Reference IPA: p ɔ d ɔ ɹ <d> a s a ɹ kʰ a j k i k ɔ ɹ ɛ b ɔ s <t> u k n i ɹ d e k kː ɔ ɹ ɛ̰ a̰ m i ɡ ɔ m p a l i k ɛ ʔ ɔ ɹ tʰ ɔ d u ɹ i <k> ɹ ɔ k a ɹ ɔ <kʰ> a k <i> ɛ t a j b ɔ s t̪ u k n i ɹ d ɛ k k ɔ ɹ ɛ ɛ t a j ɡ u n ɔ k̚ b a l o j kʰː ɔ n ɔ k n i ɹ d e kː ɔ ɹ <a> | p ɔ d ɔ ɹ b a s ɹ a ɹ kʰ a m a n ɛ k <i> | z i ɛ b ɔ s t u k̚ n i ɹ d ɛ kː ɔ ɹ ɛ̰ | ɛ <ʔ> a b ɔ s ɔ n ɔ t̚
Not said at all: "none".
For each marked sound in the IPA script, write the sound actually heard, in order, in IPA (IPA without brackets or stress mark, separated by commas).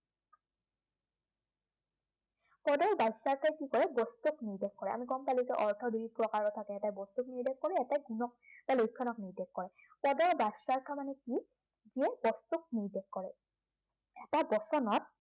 b, t, p, tʰ, ɛ, ɛ, i, t